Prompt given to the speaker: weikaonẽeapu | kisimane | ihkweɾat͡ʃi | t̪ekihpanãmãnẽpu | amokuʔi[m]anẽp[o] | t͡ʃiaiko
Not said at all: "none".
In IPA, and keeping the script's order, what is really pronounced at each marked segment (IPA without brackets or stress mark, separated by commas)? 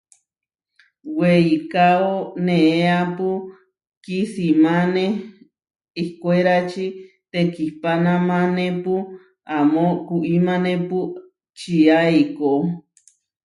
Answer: m, u